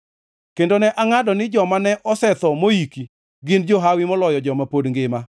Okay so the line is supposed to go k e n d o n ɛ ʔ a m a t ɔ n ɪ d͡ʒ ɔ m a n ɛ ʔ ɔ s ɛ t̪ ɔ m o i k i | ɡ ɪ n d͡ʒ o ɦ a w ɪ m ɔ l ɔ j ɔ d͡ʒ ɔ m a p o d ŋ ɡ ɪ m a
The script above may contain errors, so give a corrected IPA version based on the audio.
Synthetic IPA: k e n d o n ɛ ʔ a ŋ a d ɔ n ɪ d͡ʒ ɔ m a n ɛ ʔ ɔ s ɛ t̪ ɔ m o i k i | ɡ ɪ n d͡ʒ o ɦ a w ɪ m ɔ l ɔ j ɔ d͡ʒ ɔ m a p o d ŋ ɡ ɪ m a